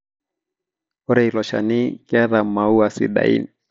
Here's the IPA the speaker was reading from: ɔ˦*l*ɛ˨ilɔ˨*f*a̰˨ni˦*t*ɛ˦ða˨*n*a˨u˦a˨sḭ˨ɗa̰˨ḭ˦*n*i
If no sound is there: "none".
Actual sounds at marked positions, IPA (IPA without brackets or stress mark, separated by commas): ɾ, ʃ, k, m, n